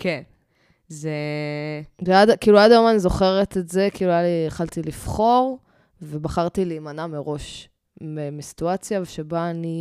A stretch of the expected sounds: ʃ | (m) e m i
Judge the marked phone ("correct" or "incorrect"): correct